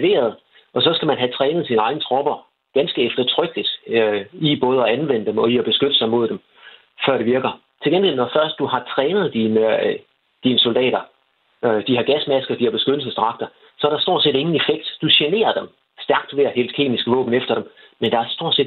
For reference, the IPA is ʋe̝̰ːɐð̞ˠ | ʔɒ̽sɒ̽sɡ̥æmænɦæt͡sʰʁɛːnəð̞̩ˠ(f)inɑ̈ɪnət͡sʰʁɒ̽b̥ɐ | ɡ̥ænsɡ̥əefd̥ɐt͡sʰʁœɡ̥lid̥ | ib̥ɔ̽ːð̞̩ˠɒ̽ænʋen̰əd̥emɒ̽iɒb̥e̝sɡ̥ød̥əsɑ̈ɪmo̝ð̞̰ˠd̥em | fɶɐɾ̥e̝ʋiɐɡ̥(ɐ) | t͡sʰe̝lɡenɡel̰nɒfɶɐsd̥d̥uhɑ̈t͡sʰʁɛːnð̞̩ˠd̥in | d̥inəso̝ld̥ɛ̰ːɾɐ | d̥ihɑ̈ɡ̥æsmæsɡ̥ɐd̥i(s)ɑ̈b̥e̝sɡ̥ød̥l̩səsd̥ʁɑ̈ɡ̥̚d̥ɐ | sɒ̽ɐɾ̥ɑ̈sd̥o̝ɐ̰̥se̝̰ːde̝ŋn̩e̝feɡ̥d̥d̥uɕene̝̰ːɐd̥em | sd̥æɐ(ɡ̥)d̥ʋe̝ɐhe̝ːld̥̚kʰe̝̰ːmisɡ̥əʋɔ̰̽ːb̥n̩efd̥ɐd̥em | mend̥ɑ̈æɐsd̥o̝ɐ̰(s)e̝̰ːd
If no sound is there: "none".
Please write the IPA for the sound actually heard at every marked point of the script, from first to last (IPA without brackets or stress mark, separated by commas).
s, ɐ, h, ɡ̥, s